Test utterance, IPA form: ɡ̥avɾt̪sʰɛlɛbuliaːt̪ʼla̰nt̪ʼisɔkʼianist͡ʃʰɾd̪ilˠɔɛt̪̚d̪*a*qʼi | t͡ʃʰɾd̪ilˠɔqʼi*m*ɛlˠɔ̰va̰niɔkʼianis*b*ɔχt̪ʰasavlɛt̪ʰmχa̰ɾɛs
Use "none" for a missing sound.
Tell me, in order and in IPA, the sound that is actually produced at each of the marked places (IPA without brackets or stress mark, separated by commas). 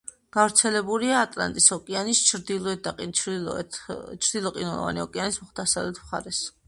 a, n, m